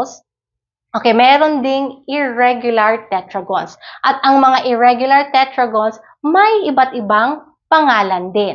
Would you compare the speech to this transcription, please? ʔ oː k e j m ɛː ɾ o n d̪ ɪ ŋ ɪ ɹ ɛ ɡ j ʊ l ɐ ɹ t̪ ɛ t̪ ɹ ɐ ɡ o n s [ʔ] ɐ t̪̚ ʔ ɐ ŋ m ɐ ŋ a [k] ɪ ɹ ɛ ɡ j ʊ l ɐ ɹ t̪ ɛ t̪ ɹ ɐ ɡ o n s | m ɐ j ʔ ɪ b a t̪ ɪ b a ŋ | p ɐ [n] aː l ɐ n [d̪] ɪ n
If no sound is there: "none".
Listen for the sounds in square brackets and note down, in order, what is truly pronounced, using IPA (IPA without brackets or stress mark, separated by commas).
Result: ʔ, ʔ, ŋ, d̪